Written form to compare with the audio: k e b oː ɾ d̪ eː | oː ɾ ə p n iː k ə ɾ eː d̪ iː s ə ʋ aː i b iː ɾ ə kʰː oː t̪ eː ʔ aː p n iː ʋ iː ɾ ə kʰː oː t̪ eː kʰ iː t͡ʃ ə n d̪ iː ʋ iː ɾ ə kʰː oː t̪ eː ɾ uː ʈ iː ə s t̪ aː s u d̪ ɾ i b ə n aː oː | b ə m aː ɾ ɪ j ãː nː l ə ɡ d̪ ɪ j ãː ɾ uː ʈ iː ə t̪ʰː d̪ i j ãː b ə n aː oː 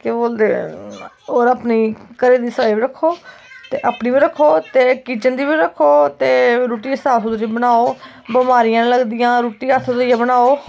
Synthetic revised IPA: k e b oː l d̪ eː | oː ɾ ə p n iː k ə ɾ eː d̪ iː s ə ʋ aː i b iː ɾ ə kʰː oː t̪ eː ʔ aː p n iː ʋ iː ɾ ə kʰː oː t̪ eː k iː t͡ʃ ə n d̪ iː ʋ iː ɾ ə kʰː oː t̪ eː ɾ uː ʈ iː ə s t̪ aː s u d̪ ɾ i b ə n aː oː | b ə m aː ɾ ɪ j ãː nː l ə ɡ d̪ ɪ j ãː ɾ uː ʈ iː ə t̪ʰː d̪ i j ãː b ə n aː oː